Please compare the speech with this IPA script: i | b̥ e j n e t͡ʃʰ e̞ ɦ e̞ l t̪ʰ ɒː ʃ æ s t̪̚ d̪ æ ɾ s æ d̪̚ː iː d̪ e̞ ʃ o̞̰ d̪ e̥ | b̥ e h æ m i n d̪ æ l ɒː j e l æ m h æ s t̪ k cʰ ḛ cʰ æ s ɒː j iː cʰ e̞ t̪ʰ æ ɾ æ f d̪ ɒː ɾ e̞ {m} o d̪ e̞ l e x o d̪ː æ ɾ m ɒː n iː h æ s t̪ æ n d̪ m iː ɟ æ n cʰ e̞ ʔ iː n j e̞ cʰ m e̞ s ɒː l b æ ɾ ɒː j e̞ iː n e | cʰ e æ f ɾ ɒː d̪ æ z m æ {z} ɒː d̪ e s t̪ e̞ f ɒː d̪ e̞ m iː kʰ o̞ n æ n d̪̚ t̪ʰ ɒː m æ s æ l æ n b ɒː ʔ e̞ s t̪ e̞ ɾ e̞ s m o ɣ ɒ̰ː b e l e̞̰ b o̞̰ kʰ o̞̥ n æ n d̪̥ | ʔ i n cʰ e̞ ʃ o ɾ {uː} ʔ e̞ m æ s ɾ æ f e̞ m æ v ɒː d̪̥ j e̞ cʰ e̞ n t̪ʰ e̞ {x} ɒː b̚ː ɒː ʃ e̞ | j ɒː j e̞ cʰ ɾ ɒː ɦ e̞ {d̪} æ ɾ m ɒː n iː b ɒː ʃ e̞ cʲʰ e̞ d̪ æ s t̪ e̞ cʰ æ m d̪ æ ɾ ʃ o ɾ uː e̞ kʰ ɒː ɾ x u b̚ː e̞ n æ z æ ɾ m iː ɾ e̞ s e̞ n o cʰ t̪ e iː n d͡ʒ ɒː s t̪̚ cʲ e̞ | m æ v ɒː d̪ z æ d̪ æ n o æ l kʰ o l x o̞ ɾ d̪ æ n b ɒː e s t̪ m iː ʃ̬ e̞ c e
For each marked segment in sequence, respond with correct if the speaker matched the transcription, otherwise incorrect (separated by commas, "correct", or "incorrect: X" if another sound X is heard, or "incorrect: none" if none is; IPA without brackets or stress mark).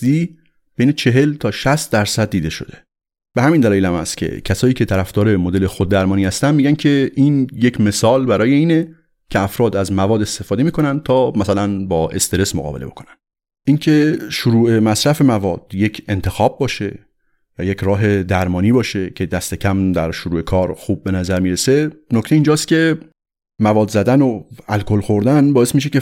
correct, incorrect: v, correct, correct, correct